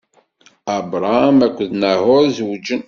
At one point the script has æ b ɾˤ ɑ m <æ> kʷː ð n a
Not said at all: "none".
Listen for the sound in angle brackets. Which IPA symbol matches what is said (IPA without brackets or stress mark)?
æ